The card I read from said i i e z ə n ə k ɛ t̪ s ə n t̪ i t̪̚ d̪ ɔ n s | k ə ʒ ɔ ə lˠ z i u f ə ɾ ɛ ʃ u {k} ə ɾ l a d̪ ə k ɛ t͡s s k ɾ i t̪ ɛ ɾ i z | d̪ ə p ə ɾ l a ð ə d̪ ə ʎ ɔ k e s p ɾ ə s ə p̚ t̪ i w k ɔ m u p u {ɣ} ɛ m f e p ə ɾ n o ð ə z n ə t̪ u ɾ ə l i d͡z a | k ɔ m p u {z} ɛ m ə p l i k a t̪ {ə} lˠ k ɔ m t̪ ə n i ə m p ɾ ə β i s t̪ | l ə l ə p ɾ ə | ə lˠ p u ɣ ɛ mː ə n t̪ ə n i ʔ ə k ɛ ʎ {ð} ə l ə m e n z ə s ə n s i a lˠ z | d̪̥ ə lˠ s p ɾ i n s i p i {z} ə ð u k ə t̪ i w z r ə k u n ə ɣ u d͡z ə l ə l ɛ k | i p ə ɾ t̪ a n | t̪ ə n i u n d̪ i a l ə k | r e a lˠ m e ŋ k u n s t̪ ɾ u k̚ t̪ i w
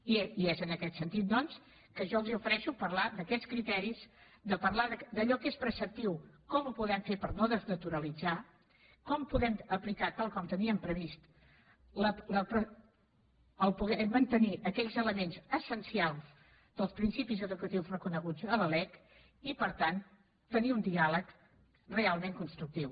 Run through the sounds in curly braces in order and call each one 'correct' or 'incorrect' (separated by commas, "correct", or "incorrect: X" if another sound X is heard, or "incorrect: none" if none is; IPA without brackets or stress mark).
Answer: incorrect: p, incorrect: ð, incorrect: ð, incorrect: a, incorrect: z, correct